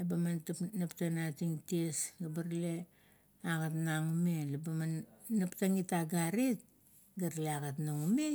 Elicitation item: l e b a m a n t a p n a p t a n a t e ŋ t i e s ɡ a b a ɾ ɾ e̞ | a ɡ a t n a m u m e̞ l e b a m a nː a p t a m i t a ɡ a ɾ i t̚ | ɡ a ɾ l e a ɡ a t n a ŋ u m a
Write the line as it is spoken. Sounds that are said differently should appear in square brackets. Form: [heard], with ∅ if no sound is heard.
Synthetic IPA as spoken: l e b a m a n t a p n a p t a n a t [i] ŋ t i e s ɡ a b a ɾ [l] e̞ | a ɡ a t n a [ŋ] u m e̞ l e b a m a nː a p t a [ŋ] i t a ɡ a ɾ i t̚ | ɡ a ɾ l e a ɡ a t n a ŋ u m [e]